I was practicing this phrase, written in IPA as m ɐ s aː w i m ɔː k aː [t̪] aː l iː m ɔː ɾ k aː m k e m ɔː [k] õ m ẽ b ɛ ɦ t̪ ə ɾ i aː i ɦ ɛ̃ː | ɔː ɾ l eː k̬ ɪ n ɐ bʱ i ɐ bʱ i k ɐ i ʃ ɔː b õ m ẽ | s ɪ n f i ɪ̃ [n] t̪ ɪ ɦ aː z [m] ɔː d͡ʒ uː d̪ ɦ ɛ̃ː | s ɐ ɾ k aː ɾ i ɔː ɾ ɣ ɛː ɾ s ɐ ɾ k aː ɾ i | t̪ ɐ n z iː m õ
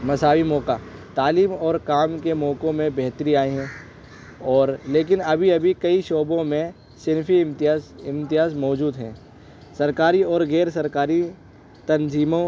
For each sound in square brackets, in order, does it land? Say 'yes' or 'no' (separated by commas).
yes, yes, no, yes